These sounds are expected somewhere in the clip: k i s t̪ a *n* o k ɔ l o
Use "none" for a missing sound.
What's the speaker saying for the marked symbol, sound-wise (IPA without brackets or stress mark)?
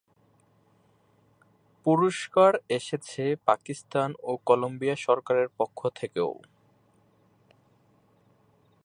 n